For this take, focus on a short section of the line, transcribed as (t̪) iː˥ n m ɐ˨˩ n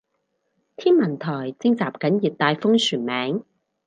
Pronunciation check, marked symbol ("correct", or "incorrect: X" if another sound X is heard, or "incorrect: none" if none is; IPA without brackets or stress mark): incorrect: t̪ʰ